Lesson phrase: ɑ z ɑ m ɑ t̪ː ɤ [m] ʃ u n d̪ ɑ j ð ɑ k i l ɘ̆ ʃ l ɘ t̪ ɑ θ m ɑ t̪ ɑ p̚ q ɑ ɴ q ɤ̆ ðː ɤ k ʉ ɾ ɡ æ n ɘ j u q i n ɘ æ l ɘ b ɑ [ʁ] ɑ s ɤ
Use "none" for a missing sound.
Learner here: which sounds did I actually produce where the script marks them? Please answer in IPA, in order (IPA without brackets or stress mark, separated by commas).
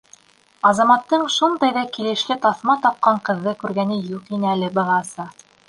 ɴ, ʁ